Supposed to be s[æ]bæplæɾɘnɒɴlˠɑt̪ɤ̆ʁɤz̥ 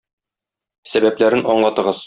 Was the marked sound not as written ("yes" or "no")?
no